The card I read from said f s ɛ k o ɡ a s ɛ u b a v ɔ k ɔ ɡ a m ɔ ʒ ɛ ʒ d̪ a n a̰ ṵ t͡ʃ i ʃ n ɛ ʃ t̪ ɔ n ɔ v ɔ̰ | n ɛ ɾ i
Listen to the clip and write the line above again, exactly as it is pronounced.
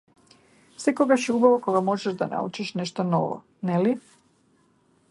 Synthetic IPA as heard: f s ɛ k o ɡ a ʃ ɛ u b a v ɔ k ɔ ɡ a m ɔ ʒ ɛ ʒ d̪ a n a̰ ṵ t͡ʃ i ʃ n ɛ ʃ t̪ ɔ n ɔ v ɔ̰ | n ɛ l i